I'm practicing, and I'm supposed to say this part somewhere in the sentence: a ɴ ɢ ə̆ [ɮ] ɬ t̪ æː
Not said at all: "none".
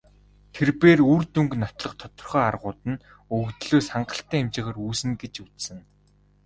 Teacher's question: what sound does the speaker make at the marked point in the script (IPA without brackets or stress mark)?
none